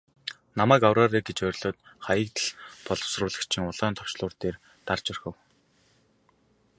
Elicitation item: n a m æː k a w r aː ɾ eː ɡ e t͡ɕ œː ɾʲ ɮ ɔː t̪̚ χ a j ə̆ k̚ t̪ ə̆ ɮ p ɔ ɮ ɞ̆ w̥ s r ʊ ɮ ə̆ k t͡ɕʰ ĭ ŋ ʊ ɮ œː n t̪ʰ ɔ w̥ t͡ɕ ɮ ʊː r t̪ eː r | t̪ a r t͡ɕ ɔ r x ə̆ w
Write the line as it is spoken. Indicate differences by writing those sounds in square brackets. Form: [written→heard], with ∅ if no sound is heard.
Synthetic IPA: n a m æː k a w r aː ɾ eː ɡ e t͡ɕ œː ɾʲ ɮ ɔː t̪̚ χ a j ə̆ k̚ t̪ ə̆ ɮ p ɔ ɮ ɞ̆ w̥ s r [ʊ→ʊː] ɮ ə̆ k t͡ɕʰ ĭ ŋ ʊ ɮ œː n t̪ʰ ɔ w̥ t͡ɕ ɮ ʊː r t̪ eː r | t̪ a r t͡ɕ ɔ r x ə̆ w